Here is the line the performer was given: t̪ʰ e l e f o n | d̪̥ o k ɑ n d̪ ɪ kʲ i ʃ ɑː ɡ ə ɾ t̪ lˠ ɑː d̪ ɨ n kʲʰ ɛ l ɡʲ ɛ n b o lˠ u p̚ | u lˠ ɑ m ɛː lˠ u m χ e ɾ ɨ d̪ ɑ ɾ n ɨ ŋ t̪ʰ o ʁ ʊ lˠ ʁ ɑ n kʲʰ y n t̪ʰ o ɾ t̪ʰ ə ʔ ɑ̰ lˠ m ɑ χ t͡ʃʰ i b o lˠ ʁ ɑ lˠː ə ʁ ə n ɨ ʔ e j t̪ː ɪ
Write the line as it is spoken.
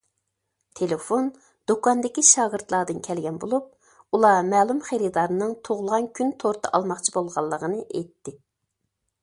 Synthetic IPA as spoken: t̪ʰ e l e f o n | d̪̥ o k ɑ n d̪ ɪ kʲ i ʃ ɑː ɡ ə ɾ t̪ lˠ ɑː d̪ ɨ n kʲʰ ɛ l ɡʲ ɛ n b o lˠ u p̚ | u lˠ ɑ m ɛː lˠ u m χ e ɾ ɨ d̪ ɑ ɾ n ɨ ŋ t̪ʰ o ʁ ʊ lˠ ʁ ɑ n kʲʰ y n t̪ʰ o ɾ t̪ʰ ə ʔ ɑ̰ lˠ m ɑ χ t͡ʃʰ i b o lˠ ʁ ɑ lˠː ə ʁ ə n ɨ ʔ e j t̪ː ɪ

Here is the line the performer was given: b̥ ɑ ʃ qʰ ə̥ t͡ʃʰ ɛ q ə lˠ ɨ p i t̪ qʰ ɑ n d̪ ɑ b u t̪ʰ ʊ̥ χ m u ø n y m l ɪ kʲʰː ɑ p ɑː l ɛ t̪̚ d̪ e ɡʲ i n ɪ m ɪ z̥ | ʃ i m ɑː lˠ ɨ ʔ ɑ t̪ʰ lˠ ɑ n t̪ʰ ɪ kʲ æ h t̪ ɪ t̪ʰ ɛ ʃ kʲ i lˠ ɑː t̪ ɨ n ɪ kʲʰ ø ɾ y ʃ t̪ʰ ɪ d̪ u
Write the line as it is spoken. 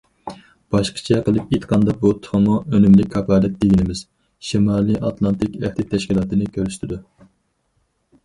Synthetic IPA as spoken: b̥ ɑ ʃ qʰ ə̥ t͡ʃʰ ɛ q ə lˠ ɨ p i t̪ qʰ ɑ n d̪ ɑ b u t̪ʰ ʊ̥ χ m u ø n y m l ɪ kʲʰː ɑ p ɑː l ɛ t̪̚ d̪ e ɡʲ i n ɪ m ɪ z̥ | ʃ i m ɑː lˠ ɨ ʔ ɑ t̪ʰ lˠ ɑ n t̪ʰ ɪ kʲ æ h t̪ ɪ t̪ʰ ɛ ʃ kʲ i lˠ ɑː t̪ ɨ n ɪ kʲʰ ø ɾ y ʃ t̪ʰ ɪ d̪ u

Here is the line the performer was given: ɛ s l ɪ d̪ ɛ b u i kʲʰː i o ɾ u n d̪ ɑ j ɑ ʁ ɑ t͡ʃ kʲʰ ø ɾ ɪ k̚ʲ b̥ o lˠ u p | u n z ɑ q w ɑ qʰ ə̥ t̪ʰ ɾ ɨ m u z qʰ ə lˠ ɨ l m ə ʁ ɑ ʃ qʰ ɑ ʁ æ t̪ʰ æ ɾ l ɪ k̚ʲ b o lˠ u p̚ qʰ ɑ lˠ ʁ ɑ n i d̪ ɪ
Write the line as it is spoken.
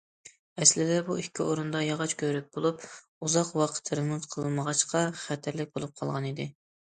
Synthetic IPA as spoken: ɛ s l ɪ d̪ ɛ b u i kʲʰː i o ɾ u n d̪ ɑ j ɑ ʁ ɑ t͡ʃ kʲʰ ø ɾ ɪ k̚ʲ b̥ o lˠ u p | u z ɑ q w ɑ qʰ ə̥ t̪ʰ ɾ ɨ m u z qʰ ə lˠ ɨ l m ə ʁ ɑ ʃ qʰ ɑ χ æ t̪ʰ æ ɾ l ɪ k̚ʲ b o lˠ u p̚ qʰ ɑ lˠ ʁ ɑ n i d̪ ɪ

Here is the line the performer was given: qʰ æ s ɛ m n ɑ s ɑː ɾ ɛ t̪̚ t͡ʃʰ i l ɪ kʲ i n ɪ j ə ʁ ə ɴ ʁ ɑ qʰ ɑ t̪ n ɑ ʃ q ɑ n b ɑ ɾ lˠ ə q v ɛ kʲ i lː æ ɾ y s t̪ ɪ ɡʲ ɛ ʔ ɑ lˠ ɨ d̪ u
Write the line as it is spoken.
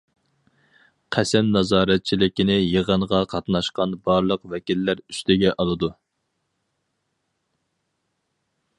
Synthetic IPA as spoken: qʰ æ s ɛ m n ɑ z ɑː ɾ ɛ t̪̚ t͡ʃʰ i l ɪ kʲ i n ɪ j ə ʁ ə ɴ ʁ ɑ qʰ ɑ t̪ n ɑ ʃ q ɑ n b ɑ ɾ lˠ ə q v ɛ kʲ i lː æ ɾ y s t̪ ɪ ɡʲ ɛ ʔ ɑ lˠ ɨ d̪ u

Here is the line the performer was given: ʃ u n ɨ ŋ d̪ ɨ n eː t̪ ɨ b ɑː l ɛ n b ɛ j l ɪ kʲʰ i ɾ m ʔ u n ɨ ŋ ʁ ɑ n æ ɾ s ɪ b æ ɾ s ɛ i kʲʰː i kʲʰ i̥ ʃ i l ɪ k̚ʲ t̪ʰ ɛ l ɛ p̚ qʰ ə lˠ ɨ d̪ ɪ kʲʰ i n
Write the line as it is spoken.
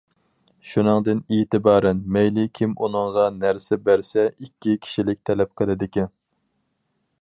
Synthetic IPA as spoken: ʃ u n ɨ ŋ d̪ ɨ n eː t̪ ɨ b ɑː ɾ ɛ n m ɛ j l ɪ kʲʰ i m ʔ u n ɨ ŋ ʁ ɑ n æ ɾ s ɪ b æ ɾ s ɛ i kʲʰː i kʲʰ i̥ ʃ i l ɪ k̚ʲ t̪ʰ ɛ l ɛ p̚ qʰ ə lˠ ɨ d̪ ɪ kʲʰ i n

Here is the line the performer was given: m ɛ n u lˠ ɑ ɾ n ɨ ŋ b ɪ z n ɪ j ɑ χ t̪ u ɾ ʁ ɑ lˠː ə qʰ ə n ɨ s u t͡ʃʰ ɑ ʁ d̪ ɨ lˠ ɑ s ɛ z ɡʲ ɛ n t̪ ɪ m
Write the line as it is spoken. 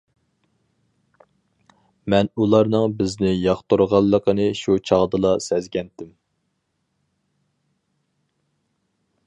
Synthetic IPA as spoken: m ɛ n u lˠ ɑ ɾ n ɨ ŋ b ɪ z n ɪ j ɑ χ t̪ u ɾ ʁ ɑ lˠː ə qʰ ə n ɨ ʃ u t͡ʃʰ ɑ ʁ d̪ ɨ lˠ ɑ s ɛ z ɡʲ ɛ n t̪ ɪ m

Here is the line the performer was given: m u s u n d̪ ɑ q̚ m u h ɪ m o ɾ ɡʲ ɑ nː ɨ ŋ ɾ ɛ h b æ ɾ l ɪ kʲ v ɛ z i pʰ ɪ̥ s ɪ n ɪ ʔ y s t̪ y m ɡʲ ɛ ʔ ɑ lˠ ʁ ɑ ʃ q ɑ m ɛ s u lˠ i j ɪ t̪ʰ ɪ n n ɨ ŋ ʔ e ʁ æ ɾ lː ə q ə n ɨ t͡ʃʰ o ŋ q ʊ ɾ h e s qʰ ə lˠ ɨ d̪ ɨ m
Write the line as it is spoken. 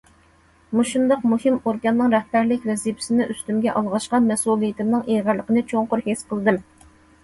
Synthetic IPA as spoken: m u ʃ u n d̪ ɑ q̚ m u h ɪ m o ɾ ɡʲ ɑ nː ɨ ŋ ɾ ɛ h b æ ɾ l ɪ kʲ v ɛ z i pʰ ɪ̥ s ɪ n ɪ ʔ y s t̪ y m ɡʲ ɛ ʔ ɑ lˠ ʁ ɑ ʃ q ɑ m ɛ s u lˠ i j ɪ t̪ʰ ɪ m n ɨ ŋ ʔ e ʁ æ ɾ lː ə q ə n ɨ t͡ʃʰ o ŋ q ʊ ɾ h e s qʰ ə lˠ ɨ d̪ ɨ m

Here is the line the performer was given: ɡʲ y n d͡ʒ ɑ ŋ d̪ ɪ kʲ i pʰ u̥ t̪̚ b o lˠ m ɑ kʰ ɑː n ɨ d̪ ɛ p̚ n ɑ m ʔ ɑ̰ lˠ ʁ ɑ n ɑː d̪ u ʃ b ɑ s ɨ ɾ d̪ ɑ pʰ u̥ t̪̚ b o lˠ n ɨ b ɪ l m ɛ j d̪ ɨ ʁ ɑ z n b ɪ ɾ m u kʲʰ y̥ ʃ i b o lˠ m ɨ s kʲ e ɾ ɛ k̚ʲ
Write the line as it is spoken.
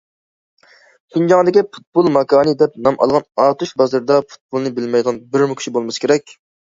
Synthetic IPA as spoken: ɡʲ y n d͡ʒ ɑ ŋ d̪ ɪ kʲ i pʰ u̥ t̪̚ b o lˠ m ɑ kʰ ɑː n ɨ d̪ ɛ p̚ n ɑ m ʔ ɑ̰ lˠ ʁ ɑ n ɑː t̪ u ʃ b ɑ z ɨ ɾ d̪ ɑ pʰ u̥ t̪̚ b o lˠ n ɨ b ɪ l m ɛ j d̪ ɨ ʁ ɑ n b ɪ ɾ m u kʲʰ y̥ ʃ i b o lˠ m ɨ s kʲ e ɾ ɛ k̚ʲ

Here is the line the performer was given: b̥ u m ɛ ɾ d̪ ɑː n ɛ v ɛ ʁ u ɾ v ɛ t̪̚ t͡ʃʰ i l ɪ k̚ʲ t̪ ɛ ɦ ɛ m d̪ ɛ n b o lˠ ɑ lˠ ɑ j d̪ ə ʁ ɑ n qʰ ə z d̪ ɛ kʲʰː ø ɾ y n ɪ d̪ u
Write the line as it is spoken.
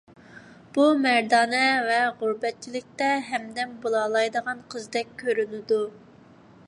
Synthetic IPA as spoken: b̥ u m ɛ ɾ d̪ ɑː n ɛ v ɛ ʁ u ɾ b ɛ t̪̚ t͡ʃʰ i l ɪ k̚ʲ t̪ ɛ ɦ ɛ m d̪ ɛ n b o lˠ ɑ lˠ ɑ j d̪ ə ʁ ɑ n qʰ ə z d̪ ɛ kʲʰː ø ɾ y n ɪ d̪ u

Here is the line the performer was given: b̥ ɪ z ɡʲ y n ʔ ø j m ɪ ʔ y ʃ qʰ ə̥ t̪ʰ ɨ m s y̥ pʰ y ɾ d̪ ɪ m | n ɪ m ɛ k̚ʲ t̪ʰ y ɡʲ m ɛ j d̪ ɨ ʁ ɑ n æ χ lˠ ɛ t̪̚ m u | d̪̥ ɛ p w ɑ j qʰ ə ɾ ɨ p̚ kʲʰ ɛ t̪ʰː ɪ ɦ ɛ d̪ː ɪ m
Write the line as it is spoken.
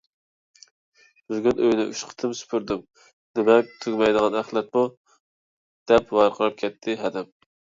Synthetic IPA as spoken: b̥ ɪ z ɡʲ y n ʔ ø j n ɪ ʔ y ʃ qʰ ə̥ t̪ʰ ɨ m s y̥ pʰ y ɾ d̪ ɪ m | n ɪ m ɛ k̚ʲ t̪ʰ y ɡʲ m ɛ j d̪ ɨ ʁ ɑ n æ χ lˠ ɛ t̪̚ m u | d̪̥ ɛ p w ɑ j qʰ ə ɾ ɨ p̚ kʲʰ ɛ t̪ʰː ɪ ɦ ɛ d̪ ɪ m

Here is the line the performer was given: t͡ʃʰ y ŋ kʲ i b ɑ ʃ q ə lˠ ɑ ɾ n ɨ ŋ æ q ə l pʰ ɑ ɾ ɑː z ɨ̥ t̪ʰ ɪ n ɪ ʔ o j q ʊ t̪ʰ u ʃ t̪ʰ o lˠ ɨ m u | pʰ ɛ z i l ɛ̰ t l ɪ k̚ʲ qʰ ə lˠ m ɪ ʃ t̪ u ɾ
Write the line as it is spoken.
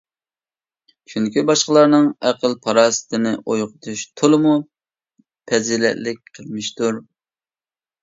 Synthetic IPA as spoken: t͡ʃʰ y ŋ kʲ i b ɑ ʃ q ə lˠ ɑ ɾ n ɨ ŋ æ q ə l pʰ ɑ ɾ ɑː s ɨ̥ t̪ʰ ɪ n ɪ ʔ o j q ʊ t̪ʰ u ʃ t̪ʰ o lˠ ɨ m u | pʰ ɛ z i l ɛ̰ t l ɪ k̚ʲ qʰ ə lˠ m ɪ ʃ t̪ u ɾ

